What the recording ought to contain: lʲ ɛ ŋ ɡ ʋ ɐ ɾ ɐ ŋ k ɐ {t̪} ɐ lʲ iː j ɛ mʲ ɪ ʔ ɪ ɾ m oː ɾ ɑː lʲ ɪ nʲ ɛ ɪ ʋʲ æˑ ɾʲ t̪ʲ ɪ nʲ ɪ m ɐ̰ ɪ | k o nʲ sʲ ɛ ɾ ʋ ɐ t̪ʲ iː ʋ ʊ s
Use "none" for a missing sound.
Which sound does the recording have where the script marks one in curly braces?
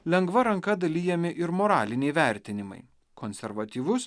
d̪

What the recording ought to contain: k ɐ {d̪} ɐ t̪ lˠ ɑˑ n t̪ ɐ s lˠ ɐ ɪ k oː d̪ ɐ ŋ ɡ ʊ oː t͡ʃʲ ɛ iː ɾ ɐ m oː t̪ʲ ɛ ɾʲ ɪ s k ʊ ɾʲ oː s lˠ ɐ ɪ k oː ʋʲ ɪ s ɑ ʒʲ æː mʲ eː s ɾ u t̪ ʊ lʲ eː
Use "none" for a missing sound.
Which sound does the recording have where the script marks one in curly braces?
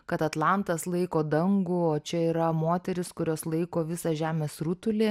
t̪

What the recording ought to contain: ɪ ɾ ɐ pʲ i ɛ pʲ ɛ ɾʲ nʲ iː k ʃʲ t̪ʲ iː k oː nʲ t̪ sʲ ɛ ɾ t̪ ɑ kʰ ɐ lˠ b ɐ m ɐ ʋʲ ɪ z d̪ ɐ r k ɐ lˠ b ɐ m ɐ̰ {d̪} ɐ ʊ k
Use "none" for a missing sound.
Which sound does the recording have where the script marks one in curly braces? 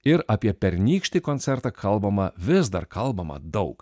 d̪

